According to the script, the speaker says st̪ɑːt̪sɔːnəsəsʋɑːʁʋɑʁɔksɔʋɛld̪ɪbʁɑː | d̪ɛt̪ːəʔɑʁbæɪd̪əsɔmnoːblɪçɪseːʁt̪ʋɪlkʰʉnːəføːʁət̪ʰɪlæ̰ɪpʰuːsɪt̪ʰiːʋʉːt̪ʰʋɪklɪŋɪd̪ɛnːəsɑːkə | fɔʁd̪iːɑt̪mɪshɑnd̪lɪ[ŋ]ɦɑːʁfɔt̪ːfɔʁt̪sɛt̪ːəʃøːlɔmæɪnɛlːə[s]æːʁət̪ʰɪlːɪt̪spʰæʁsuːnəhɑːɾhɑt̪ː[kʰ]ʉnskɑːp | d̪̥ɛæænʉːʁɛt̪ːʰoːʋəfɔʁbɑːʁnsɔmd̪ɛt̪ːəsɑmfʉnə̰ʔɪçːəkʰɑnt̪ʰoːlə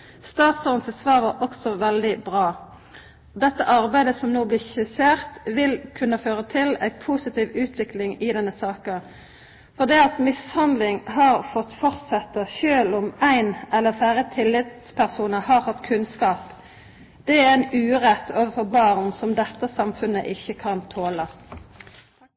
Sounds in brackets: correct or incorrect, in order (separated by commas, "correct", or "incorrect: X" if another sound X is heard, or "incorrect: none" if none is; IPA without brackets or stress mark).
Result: correct, incorrect: f, correct